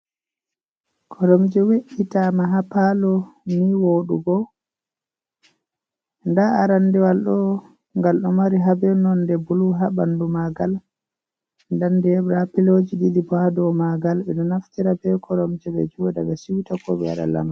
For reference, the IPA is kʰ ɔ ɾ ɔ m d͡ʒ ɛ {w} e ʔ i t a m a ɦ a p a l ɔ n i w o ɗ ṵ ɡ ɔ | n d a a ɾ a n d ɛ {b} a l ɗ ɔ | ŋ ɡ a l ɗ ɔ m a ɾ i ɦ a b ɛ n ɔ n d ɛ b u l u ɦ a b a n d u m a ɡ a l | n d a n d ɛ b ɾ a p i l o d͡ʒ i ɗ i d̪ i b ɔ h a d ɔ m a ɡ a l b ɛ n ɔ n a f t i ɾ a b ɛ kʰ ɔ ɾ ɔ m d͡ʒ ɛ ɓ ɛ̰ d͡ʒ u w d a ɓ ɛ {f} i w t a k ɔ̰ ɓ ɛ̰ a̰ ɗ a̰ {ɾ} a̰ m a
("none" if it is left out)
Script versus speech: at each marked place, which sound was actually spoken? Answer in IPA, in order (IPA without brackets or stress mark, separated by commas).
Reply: w, w, s, l